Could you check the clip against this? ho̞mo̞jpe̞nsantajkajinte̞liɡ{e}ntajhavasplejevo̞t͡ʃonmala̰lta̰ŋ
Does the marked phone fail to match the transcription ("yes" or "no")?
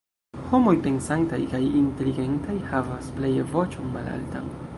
no